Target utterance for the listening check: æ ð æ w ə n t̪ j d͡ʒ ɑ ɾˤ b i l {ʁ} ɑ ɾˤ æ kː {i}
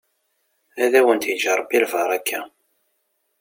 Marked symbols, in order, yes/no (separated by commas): no, no